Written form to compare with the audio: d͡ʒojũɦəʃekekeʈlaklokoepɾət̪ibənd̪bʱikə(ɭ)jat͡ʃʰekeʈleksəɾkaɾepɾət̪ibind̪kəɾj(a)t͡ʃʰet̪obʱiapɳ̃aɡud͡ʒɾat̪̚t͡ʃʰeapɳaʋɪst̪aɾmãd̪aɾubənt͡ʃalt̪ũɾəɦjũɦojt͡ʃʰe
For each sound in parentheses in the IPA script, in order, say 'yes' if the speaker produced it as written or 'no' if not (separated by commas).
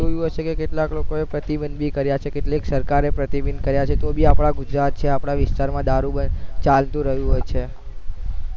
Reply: no, yes